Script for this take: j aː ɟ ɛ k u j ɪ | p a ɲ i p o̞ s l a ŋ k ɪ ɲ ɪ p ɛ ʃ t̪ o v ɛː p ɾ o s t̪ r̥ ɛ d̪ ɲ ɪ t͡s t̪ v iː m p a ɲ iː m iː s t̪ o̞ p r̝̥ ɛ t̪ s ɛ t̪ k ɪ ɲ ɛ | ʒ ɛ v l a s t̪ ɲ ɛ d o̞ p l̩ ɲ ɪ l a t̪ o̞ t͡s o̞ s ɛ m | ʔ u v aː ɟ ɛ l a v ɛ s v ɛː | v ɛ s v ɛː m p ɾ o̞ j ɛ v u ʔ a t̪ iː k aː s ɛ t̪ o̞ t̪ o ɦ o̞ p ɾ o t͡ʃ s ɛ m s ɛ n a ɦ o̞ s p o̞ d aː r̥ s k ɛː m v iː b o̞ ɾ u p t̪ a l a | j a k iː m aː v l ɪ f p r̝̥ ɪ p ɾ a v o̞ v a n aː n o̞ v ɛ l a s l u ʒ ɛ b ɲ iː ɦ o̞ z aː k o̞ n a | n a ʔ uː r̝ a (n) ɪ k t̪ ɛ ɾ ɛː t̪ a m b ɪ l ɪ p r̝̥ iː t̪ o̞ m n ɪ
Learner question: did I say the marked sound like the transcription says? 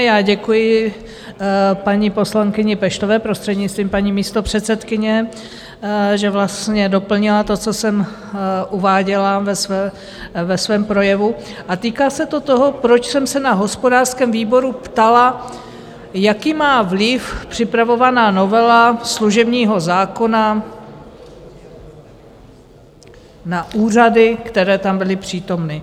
no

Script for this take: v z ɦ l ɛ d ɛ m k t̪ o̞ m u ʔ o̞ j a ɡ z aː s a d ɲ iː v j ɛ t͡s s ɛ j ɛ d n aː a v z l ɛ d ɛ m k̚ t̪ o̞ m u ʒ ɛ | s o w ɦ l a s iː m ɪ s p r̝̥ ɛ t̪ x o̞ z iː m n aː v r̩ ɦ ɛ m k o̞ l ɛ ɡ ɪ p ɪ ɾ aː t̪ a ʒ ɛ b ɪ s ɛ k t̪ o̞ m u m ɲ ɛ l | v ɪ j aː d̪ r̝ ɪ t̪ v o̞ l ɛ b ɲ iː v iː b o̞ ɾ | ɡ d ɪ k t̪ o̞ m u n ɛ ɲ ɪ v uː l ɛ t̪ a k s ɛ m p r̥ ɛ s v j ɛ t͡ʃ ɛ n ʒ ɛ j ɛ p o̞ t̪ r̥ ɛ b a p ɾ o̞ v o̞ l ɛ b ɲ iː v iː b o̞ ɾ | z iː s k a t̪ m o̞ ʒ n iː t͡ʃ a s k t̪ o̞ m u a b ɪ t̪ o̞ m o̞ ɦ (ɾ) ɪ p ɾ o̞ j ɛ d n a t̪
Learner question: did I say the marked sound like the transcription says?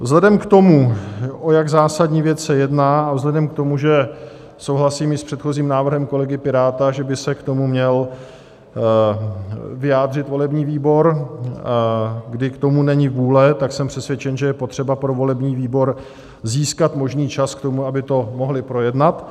no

